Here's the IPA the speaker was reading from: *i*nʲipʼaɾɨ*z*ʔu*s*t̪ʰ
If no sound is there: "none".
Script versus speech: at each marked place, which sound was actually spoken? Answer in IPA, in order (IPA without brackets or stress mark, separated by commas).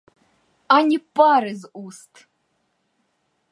a, z, s